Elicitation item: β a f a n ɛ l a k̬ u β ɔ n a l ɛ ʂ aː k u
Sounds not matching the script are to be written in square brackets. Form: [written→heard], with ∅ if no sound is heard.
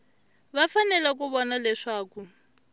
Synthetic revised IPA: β a f a n ɛ l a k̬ u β ɔ n a l ɛ ʂ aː k u